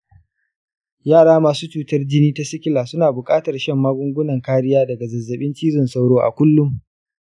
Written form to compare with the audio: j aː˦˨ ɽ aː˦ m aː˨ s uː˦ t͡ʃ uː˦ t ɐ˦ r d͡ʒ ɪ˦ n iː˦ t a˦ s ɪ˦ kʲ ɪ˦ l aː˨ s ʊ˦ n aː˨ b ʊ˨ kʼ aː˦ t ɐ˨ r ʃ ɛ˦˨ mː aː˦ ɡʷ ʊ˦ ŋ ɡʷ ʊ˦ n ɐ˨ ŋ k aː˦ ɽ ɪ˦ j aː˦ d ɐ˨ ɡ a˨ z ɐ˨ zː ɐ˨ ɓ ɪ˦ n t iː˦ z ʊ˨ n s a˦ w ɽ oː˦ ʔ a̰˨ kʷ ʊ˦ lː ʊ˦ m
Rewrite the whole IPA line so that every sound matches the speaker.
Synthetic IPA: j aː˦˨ ɽ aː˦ m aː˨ s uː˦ t͡ʃ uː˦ t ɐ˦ r d͡ʒ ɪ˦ n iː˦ t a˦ s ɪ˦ kʲ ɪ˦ l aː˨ s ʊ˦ n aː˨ b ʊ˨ kʼ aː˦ t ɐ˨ r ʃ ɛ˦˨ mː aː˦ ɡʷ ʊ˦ ŋ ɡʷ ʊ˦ n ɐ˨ ŋ k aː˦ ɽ ɪ˦ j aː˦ d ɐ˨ ɡ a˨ z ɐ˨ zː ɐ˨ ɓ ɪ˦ n t͡ʃ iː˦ z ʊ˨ n s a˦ w ɽ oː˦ ʔ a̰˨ kʷ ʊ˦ lː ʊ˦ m